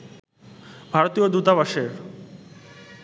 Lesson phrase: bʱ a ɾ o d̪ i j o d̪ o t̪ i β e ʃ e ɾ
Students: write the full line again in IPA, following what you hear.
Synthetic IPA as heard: bʱ a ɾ o t̪ i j o d̪ u t̪ a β a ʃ e ɾ